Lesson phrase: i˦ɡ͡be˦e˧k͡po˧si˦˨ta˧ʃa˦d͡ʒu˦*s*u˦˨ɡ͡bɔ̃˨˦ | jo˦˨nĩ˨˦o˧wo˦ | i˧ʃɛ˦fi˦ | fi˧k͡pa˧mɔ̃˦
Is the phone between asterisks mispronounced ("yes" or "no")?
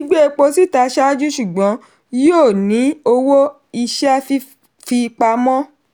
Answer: yes